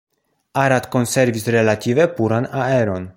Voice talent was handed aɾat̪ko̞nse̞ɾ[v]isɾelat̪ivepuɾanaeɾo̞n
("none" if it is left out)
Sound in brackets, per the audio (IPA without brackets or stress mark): v